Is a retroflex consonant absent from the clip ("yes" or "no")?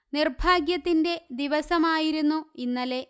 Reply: yes